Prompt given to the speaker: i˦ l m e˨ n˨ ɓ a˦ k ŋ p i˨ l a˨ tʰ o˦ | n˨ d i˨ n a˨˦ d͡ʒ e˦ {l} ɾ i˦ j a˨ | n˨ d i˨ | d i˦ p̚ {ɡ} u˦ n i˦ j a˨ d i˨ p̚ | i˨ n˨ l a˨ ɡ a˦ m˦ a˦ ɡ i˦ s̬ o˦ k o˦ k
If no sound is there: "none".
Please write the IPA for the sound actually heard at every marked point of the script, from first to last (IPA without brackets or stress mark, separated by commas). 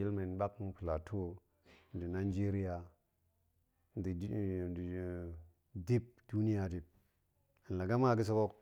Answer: none, d